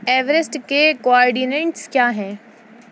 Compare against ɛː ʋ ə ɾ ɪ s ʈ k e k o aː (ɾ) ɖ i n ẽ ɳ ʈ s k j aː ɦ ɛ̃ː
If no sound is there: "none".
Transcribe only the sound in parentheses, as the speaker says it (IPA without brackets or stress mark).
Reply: ɾ